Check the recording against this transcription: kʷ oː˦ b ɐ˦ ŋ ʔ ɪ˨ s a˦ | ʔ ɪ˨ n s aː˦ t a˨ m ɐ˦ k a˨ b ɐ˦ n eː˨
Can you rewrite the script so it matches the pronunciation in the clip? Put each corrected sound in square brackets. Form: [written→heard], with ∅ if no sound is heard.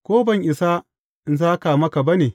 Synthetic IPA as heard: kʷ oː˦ b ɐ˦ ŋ ʔ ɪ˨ s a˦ | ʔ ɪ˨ n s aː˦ [t→k] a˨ m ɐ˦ k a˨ b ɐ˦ n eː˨